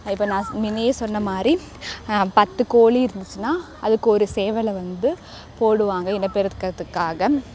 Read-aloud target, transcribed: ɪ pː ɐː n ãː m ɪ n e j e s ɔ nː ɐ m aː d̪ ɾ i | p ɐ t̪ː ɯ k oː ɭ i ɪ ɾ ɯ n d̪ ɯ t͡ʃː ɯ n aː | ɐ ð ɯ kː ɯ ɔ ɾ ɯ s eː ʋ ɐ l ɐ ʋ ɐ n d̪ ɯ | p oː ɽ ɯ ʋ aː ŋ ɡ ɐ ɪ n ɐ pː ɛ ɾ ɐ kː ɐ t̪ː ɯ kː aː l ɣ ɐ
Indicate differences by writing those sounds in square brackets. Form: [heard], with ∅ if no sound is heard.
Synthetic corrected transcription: ɪ pː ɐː n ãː m ɪ n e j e s ɔ nː ɐ m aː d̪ ɾ i | p ɐ t̪ː ɯ k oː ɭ i ɪ ɾ ɯ n d̪ ɯ t͡ʃː ɯ n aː | ɐ ð ɯ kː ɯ ɔ ɾ ɯ s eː ʋ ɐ l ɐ ʋ ɐ n d̪ ɯ | p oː ɽ ɯ ʋ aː ŋ ɡ ɐ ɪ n ɐ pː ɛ ɾ ɐ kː ɐ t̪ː ɯ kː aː [∅] ɣ ɐ